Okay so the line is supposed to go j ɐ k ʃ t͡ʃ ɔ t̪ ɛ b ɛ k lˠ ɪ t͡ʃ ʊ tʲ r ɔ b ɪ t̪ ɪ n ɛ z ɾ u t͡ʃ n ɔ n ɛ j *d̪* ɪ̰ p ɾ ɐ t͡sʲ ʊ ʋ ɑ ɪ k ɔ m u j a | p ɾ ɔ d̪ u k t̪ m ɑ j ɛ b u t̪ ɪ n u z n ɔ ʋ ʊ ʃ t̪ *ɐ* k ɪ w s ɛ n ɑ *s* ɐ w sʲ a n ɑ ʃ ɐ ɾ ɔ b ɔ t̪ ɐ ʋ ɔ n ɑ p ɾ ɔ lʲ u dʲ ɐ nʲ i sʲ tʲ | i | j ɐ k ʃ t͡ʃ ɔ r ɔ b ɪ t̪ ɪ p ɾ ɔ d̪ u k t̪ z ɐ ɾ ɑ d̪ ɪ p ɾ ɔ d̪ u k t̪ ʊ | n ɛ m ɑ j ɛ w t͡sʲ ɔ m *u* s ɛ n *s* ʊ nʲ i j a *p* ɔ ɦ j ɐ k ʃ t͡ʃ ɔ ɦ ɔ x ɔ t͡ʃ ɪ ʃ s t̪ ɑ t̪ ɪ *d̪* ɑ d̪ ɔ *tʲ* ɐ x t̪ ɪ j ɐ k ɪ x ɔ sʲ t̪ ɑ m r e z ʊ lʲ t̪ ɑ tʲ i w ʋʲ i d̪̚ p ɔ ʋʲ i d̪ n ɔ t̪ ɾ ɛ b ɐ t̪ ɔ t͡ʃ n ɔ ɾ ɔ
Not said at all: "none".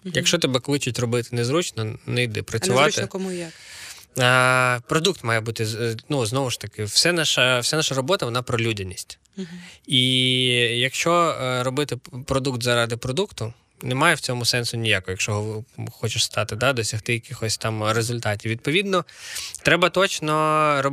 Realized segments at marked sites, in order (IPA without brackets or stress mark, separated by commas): d̪, ɐ, ʃ, ʊ, s, k, d̪, sʲ